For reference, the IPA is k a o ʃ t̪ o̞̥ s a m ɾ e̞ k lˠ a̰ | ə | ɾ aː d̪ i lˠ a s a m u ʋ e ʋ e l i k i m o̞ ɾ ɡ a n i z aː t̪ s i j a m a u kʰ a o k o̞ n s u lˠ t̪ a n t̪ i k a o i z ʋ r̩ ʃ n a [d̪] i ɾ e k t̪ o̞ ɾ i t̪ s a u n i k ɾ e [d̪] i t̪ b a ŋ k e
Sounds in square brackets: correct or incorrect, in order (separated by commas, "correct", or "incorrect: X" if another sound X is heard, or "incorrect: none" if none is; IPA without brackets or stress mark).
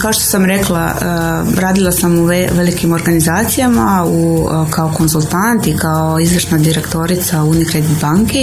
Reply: correct, correct